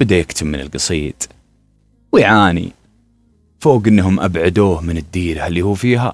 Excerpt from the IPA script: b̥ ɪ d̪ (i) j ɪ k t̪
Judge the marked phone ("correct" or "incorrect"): incorrect